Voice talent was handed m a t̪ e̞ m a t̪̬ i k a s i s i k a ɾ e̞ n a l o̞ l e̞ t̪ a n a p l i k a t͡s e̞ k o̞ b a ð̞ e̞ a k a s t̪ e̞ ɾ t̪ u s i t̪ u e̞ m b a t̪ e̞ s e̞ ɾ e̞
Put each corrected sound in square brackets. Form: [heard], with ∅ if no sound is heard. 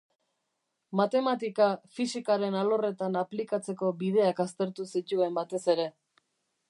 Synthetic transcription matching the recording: m a t̪ e̞ m a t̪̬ i k a [f] i s i k a ɾ e̞ n a l o̞ [r] e̞ t̪ a n a p l i k a t͡s e̞ k o̞ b [i] ð̞ e̞ a k a s t̪ e̞ ɾ t̪ u s i t̪ u e̞ m b a t̪ e̞ s e̞ ɾ e̞